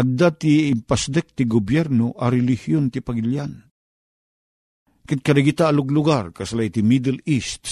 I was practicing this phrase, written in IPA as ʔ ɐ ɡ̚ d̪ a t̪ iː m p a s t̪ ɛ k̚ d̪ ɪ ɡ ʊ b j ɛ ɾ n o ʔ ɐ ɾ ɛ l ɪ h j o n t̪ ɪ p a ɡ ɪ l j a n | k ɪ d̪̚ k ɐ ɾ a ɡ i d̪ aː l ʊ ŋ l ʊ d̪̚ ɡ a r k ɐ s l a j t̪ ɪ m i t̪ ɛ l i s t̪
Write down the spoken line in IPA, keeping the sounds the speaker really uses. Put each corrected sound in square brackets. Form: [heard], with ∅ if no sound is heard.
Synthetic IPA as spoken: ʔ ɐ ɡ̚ d̪ a t̪ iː m p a s [d̪] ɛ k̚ [t̪] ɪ ɡ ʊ b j ɛ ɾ n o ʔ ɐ ɾ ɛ l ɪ h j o n t̪ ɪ p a ɡ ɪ l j a n | k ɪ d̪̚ k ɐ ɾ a ɡ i [t̪] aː l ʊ [ɡ] l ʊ [∅] ɡ a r k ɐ s l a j t̪ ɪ m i [d̪] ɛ l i s t̪